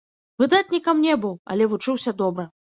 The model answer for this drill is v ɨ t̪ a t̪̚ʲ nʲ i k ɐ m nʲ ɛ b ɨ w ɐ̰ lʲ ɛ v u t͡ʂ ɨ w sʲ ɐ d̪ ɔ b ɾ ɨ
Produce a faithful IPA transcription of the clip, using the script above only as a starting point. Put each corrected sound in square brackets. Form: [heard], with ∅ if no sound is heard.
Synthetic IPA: v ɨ [d̪] a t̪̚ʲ nʲ i k ɐ m nʲ ɛ b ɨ w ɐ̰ lʲ ɛ v u t͡ʂ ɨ w sʲ ɐ d̪ ɔ b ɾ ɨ